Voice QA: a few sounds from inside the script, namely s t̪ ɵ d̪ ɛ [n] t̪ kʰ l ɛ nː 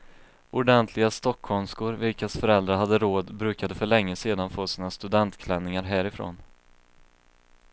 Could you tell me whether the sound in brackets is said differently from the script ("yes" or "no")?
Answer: no